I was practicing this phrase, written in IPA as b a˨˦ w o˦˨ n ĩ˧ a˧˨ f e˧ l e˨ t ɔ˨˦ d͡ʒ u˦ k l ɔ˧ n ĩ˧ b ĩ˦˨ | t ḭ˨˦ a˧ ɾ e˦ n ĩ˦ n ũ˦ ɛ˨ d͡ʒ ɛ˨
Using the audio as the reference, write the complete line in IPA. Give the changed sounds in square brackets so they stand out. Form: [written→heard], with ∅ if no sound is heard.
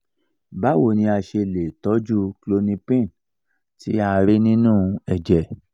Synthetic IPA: b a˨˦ w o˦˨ n ĩ˧ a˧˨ [f→ʃ] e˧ l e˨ t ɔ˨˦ d͡ʒ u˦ k l [ɔ˧→o˧] n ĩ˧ [b→p] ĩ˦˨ | t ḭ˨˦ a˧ ɾ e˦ n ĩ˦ n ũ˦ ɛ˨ d͡ʒ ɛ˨